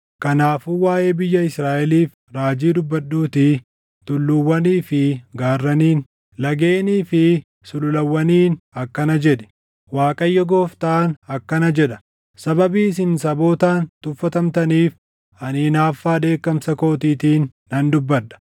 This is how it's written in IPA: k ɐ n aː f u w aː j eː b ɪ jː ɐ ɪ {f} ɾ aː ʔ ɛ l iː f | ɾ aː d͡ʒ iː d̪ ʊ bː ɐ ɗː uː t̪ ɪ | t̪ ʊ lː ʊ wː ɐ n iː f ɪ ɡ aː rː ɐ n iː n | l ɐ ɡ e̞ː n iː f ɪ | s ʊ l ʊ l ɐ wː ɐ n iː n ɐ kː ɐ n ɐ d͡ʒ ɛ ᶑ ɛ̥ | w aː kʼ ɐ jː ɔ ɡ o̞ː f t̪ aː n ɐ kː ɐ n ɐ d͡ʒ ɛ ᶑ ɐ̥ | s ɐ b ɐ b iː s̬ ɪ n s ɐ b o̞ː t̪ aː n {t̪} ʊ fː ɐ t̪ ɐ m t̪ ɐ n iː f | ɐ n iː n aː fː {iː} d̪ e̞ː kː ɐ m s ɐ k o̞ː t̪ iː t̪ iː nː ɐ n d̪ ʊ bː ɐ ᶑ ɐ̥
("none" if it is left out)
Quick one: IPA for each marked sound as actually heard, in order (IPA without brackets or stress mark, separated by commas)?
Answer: s, t̪, aː